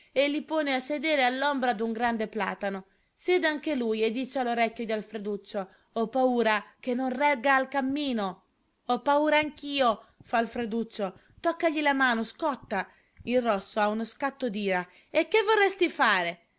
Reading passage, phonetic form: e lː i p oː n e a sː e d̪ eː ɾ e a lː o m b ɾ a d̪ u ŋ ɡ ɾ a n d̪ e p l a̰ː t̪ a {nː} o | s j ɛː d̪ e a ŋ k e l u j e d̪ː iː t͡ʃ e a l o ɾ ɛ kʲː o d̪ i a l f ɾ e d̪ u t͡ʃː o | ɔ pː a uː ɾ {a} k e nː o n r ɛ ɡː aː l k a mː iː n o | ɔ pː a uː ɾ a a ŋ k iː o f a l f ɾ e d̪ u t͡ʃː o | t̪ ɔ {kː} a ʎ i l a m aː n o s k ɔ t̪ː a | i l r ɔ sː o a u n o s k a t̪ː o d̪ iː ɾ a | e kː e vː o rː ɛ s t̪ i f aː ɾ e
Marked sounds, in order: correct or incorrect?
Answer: incorrect, correct, correct

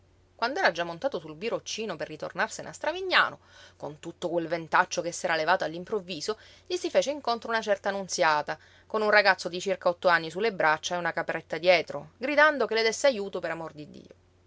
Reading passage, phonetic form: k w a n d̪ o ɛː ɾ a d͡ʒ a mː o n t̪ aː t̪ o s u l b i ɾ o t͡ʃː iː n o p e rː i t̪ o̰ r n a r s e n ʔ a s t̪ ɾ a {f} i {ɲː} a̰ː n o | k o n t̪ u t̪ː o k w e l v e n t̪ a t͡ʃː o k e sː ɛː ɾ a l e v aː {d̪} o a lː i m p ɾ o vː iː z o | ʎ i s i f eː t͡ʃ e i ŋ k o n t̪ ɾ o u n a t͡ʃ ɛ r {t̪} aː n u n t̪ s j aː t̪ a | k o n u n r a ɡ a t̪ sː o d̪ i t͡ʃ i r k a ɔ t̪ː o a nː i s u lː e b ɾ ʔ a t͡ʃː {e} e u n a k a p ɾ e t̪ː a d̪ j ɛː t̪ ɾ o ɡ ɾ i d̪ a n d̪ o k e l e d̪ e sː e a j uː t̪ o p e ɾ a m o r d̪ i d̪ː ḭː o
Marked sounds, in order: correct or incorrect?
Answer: incorrect, correct, incorrect, correct, incorrect

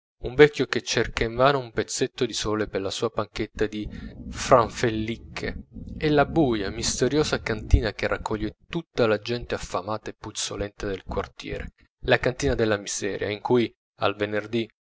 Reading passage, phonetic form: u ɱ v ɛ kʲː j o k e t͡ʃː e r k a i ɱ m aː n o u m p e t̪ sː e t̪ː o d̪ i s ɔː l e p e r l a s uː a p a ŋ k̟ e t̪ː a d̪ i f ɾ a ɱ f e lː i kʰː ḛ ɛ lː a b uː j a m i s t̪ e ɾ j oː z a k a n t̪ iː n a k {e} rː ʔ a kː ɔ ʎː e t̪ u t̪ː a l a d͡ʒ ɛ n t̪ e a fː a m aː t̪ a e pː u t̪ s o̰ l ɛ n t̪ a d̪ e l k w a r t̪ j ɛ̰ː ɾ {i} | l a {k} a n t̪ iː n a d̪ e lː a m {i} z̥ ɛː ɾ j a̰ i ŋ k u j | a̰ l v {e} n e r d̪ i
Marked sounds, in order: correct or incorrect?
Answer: correct, incorrect, correct, correct, correct

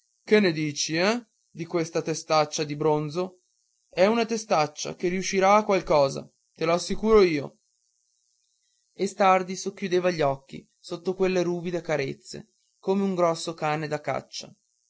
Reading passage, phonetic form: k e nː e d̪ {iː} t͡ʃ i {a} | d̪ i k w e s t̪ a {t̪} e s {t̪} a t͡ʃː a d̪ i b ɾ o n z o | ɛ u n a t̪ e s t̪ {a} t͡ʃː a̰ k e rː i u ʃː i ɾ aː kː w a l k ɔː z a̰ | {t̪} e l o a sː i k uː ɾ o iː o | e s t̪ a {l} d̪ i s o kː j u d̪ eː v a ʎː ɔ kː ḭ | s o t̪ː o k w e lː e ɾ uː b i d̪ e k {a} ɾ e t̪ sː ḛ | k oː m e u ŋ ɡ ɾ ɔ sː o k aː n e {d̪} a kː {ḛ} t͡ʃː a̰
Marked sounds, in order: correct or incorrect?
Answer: correct, incorrect, correct, correct, correct, correct, incorrect, correct, correct, incorrect

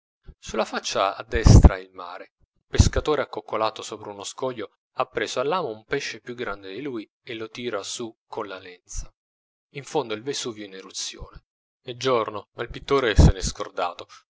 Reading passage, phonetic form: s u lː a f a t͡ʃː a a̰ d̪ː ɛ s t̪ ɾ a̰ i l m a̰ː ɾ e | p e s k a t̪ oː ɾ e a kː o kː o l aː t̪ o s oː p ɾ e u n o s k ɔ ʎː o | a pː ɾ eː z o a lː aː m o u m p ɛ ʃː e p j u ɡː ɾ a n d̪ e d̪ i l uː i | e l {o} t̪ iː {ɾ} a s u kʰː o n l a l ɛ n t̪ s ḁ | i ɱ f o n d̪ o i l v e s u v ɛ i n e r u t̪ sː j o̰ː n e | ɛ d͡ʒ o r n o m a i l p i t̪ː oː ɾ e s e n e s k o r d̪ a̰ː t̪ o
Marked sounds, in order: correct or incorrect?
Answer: correct, correct

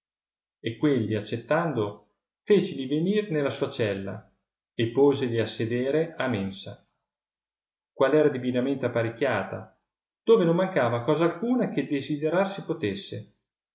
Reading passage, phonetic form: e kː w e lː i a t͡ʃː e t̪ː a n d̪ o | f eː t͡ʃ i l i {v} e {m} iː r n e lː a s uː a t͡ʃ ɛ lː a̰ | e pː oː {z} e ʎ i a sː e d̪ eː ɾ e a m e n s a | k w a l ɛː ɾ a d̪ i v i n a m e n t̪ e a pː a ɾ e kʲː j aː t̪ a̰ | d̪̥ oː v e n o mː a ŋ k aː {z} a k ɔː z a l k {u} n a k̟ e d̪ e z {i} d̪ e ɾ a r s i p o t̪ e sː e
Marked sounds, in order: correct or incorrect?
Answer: correct, incorrect, correct, incorrect, incorrect, correct

